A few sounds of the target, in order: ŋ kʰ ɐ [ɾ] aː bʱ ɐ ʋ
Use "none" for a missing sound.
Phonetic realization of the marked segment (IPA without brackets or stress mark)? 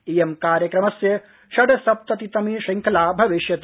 l